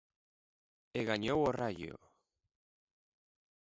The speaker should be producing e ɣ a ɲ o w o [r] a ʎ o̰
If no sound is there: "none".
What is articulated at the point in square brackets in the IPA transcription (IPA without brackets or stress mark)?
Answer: r